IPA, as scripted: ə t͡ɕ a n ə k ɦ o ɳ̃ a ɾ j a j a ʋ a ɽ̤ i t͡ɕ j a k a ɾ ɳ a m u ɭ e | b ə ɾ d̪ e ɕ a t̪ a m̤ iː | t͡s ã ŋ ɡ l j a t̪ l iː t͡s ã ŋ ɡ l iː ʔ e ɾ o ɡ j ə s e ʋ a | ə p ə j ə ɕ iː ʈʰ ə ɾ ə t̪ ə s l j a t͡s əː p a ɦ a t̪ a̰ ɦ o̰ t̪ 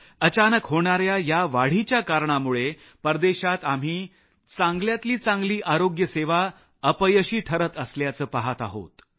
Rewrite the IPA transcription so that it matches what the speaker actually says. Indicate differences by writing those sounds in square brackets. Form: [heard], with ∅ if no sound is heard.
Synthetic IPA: ə t͡ɕ a n ə k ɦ o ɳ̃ a ɾ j a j a ʋ a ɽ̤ i t͡ɕ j a k a ɾ ɳ a m u ɭ e | [p] ə ɾ d̪ e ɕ a t̪ a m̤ iː | t͡s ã ŋ ɡ l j a t̪ l iː t͡s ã ŋ ɡ l iː ʔ [a] ɾ o ɡ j ə s e ʋ a | ə p ə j ə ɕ iː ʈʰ ə ɾ ə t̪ ə s l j a t͡s əː p a ɦ a t̪ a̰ ɦ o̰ t̪